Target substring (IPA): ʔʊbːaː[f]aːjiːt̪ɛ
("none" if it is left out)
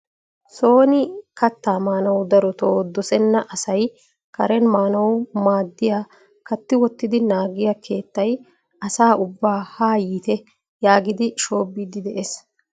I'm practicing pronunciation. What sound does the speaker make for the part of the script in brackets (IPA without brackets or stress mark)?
h